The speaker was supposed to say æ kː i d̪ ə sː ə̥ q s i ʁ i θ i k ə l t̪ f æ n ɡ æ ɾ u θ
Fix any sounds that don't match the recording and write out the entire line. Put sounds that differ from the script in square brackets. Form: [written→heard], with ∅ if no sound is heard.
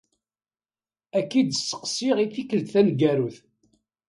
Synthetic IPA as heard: æ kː i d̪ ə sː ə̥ q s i ʁ i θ i k ə l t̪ [f→θ] æ n ɡ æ ɾ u θ